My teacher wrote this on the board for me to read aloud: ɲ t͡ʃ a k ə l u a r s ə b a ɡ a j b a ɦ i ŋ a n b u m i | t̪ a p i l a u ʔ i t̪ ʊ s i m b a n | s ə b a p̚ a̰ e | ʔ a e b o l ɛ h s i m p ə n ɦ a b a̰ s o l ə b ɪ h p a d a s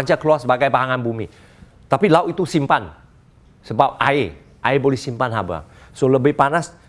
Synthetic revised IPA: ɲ t͡ʃ a k ə l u a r s ə b a ɡ a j b a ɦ a ŋ a n b u m i | t̪ a p i l a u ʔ i t̪ u s i m p a n | s ə b a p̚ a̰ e | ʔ a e b o l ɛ h s i m p a n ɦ a b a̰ s o l ə b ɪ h p a n a s